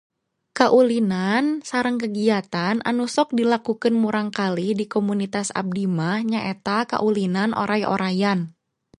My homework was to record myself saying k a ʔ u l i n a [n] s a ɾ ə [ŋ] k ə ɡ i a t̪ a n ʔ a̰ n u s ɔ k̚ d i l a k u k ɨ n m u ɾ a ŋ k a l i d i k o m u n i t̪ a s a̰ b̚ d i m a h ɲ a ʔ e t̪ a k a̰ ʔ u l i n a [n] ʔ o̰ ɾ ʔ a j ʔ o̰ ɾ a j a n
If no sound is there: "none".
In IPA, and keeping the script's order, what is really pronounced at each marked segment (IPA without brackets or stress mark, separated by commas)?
n, ŋ, n